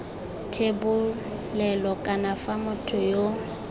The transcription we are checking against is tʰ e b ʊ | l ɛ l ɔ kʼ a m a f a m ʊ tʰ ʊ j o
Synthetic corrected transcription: tʰ e b ʊ | l ɛ l ɔ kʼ a n a f a m ʊ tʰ ʊ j o

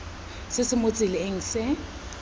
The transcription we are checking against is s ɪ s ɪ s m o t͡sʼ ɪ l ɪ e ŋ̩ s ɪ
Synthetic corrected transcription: s ɪ s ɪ m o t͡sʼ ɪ l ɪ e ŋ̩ s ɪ

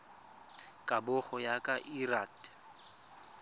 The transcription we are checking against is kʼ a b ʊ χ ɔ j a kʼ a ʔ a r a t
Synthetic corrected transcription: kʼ a b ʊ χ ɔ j a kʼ a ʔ i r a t

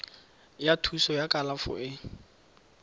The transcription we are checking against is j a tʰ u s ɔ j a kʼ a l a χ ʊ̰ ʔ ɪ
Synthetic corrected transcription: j a tʰ u s ɔ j a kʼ a l a f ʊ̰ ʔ ɪ

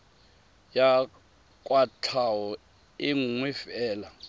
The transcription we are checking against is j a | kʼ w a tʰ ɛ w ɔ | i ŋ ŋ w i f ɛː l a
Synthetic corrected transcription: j a | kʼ w a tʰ a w ɔ | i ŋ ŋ w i f ɛː l a

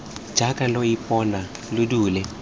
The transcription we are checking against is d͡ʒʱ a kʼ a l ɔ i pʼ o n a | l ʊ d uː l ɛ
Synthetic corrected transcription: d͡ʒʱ a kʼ a l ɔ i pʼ ɔ n a | l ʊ d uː l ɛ

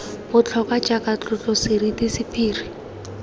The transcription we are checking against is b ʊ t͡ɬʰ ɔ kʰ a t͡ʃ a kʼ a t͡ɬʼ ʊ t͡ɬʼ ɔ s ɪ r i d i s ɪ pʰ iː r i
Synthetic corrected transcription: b ʊ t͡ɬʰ ɔ k a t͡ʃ a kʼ a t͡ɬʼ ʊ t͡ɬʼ ɔ s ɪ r i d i s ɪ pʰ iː r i

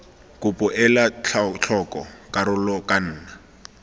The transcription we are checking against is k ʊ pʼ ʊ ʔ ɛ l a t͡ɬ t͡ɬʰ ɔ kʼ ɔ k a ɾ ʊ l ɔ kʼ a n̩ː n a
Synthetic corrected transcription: k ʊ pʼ ʊ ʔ ɛ l a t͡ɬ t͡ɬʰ ɔ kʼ ɔ k a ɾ ʊ l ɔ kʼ a n̩ː n a

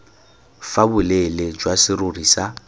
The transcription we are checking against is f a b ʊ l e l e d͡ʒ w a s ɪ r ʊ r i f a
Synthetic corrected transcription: f a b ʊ l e l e d͡ʒ w a s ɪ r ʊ r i s a

